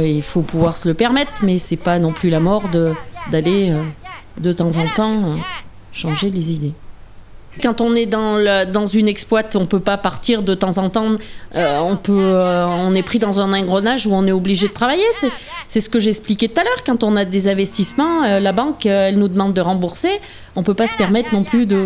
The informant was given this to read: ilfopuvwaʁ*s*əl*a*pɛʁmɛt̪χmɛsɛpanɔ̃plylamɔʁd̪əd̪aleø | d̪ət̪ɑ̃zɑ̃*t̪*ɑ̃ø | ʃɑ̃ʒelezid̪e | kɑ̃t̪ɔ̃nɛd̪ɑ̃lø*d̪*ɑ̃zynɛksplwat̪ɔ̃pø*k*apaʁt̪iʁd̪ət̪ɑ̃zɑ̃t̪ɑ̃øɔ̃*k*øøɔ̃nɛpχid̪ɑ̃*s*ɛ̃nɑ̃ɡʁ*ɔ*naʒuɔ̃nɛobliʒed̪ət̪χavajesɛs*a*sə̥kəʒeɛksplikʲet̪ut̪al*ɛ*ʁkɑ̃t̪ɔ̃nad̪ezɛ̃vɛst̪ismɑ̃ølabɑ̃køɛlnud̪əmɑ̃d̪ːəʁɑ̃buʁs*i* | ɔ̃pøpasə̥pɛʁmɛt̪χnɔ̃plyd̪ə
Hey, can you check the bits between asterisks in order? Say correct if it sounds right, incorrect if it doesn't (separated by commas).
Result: correct, incorrect, correct, correct, incorrect, incorrect, incorrect, correct, incorrect, incorrect, incorrect